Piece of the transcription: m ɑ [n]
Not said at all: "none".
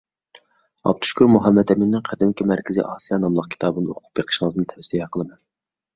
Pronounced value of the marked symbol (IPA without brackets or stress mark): n